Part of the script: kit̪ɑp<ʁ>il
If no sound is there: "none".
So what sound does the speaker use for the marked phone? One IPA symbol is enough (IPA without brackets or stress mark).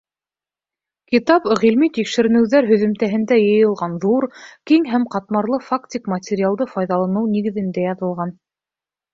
ʁ